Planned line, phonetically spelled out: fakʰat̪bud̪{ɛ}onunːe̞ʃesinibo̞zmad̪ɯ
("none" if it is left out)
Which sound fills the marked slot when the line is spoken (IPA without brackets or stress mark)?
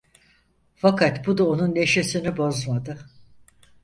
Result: a